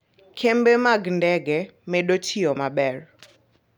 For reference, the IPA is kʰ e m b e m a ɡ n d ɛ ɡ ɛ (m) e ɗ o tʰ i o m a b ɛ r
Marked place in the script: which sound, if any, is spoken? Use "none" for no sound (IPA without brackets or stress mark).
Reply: m